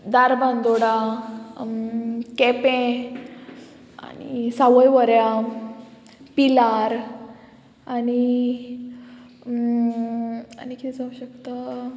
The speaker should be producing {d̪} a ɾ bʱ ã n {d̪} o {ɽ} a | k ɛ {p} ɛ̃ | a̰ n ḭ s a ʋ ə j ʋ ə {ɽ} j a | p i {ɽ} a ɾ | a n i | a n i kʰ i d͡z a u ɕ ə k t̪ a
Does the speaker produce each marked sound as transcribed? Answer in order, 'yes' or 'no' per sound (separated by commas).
yes, yes, yes, yes, no, no